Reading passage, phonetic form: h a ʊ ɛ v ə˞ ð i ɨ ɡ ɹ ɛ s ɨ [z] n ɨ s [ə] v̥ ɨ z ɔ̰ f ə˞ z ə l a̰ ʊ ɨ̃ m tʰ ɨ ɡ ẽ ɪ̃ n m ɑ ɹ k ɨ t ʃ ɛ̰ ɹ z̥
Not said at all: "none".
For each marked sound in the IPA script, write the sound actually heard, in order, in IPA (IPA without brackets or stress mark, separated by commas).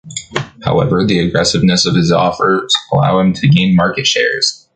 v, ʌ